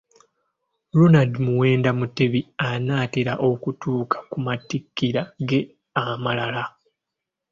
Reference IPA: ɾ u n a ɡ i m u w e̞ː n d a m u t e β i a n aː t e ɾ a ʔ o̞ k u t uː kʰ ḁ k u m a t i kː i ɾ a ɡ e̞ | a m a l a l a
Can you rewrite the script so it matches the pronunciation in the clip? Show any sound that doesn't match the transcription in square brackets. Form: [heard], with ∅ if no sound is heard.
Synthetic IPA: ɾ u n a [d] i m u w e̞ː n d a m u t e β i a n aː t e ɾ a ʔ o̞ k u t uː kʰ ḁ k u m a t i kː i ɾ a ɡ e̞ | a m a l a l a